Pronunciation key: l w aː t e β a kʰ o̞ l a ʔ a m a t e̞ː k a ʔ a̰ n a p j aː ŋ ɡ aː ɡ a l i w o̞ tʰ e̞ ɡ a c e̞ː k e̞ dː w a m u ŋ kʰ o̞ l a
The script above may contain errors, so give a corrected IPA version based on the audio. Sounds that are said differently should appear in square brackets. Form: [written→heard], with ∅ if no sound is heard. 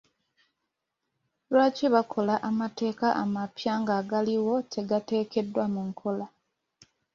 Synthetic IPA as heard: l w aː [t→c] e β a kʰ o̞ l a ʔ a m a t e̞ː k a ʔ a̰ [n→m] a p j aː ŋ ɡ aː ɡ a l i w o̞ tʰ e̞ ɡ a [c→t] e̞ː k e̞ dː w a m u ŋ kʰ o̞ l a